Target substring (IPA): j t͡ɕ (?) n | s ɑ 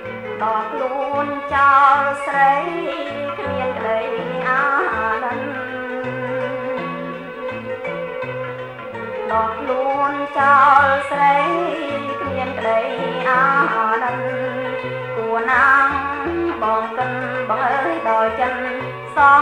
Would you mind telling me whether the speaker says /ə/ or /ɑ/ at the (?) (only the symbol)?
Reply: ə